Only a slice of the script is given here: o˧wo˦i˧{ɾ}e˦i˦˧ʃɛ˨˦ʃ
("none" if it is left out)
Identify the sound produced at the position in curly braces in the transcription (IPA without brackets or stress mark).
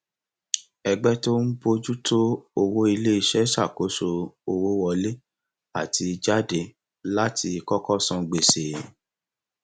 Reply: l